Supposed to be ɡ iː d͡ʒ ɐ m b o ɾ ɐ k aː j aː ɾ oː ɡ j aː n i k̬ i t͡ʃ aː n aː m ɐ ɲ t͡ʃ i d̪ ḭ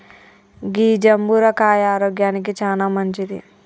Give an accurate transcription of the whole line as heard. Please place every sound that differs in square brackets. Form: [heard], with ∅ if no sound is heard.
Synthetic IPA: ɡ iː d͡ʒ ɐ m b [u] ɾ ɐ k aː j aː ɾ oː ɡ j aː n i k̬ i t͡ʃ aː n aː m ɐ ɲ t͡ʃ i d̪ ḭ